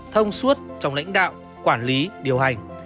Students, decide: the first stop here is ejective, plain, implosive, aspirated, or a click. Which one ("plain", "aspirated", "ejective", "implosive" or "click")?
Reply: aspirated